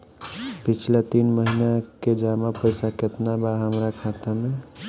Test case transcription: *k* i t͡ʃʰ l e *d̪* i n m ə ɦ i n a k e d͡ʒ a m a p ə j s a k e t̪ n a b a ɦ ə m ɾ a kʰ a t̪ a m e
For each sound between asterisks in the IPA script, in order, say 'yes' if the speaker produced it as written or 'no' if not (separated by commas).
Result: no, no